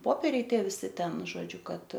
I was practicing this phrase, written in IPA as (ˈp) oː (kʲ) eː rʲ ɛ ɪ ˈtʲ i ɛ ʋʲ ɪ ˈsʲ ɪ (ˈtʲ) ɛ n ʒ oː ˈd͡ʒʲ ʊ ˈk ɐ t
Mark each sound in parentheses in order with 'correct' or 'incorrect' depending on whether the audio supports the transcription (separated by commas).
correct, incorrect, correct